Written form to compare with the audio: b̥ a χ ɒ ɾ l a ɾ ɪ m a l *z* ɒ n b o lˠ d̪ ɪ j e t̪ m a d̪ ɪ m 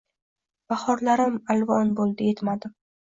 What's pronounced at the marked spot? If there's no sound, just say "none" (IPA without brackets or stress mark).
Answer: v